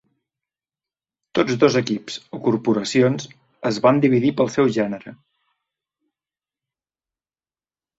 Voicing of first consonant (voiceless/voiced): voiceless